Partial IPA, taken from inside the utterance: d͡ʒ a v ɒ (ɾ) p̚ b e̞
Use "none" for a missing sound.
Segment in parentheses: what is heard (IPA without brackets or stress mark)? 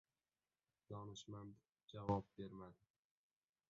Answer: none